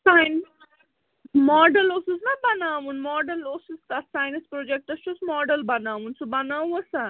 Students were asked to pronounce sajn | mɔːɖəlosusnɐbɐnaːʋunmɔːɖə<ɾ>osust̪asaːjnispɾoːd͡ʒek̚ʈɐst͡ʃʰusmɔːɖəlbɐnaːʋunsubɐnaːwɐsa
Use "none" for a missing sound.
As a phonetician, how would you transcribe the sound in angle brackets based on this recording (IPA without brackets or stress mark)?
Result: l